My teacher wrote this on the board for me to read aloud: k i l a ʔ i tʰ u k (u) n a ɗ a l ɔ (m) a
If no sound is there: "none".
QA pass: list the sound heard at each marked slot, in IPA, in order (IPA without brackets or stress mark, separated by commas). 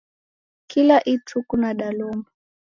u, m